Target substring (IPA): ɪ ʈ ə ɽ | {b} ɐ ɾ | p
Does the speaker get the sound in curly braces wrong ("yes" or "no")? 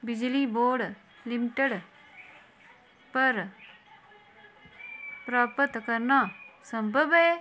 yes